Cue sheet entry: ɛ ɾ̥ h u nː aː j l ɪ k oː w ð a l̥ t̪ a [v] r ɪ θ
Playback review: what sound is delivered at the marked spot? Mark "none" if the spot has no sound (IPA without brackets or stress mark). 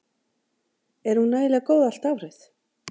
v